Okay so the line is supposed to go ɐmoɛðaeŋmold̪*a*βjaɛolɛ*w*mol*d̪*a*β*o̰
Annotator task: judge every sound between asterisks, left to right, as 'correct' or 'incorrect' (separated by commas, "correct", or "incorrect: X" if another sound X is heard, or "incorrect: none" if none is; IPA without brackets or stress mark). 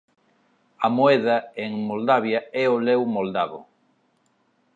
correct, correct, correct, correct